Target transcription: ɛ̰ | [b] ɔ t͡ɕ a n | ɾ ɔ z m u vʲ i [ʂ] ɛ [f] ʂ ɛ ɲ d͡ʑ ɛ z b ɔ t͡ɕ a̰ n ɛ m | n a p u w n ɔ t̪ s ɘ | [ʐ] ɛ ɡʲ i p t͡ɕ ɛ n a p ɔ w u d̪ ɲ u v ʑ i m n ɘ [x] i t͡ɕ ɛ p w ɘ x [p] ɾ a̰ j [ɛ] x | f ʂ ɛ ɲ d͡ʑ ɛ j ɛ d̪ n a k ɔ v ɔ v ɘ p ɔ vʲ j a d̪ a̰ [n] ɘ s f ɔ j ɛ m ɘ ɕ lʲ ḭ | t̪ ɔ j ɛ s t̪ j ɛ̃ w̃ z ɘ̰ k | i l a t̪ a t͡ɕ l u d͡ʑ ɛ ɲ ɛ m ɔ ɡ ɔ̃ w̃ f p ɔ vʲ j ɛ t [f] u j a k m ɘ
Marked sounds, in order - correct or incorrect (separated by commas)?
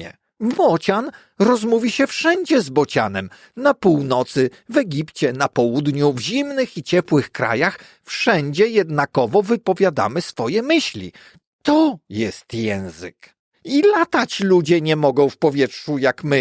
correct, incorrect, correct, incorrect, correct, incorrect, incorrect, incorrect, incorrect